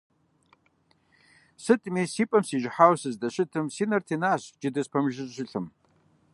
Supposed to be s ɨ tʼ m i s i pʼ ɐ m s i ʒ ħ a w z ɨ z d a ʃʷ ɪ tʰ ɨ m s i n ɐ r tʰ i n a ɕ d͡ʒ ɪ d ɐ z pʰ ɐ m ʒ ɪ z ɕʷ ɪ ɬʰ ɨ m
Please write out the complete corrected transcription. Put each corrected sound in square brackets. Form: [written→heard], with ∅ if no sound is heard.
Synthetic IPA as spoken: s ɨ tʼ m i s i pʼ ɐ m s i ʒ ħ a w [z→s] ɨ z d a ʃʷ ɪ tʰ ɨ m s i n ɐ r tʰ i n a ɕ d͡ʒ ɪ d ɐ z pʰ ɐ m ʒ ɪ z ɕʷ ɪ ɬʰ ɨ m